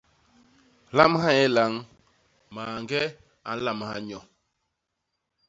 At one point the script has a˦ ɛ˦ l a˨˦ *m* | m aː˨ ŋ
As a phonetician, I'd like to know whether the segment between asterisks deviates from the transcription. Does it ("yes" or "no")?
yes